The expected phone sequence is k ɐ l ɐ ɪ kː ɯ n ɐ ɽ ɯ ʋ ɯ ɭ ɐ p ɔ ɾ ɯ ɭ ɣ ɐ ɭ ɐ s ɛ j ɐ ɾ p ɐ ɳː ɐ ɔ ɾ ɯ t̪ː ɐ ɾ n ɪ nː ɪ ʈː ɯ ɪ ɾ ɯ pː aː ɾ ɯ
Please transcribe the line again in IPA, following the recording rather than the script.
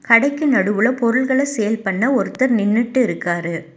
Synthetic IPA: k ɐ ɽ ɐ ɪ kː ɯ n ɐ ɽ ɯ ʋ ɯ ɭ ɐ p ɔ ɾ ɯ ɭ ɣ ɐ ɭ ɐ s ɛ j ɐ l p ɐ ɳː ɐ ɔ ɾ ɯ t̪ː ɐ ɾ n ɪ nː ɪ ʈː ɯ ɪ ɾ ɯ kː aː ɾ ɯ